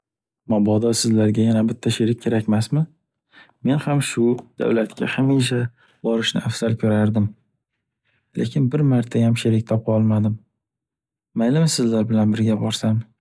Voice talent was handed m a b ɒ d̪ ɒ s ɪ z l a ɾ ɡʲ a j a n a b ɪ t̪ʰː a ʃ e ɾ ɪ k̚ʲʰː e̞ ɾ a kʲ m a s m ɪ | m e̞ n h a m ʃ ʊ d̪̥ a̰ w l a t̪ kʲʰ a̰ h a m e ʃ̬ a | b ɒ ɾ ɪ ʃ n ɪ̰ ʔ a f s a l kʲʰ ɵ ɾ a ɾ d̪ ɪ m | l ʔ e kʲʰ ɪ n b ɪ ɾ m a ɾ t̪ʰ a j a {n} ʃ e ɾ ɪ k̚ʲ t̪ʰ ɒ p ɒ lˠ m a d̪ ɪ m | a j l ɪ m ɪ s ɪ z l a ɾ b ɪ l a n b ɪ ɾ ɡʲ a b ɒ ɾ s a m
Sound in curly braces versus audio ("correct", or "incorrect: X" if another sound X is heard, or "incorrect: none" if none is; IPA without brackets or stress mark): incorrect: m